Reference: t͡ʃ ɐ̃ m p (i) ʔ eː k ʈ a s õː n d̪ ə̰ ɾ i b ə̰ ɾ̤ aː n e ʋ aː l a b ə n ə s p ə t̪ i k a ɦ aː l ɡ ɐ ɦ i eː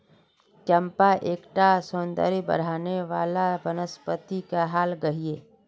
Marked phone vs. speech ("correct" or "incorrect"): incorrect